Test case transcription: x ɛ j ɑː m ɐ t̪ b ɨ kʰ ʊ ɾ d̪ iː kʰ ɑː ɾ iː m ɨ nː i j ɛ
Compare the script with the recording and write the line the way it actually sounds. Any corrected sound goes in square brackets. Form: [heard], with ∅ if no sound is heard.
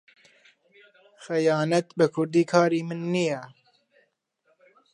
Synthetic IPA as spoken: x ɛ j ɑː [n] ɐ t̪ b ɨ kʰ ʊ ɾ d̪ iː kʰ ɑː ɾ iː m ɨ nː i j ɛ